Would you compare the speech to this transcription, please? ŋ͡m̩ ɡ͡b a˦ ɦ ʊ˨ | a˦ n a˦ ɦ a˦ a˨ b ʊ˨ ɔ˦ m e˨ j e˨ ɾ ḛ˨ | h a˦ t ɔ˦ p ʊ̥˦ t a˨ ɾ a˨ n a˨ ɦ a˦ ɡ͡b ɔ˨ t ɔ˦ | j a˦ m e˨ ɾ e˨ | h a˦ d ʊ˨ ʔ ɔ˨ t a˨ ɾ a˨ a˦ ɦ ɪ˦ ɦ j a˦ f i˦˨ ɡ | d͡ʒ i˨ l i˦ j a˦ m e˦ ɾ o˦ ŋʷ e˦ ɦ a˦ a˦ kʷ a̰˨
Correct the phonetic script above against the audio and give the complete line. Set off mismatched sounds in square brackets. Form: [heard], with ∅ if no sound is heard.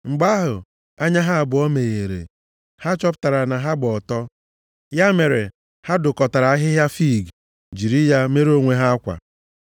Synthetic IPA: ŋ͡m̩ ɡ͡b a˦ ɦ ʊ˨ | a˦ [ɲ] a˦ ɦ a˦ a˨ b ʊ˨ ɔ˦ m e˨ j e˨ ɾ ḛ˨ | h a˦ [t͡ʃ] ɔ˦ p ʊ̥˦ t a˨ ɾ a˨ n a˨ ɦ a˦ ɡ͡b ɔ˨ t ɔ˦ | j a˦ m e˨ ɾ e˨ | h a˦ d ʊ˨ [k] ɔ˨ t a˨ ɾ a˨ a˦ ɦ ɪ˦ ɦ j a˦ f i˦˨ ɡ | d͡ʒ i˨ [ɾ] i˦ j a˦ m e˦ ɾ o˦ ŋʷ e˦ ɦ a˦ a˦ kʷ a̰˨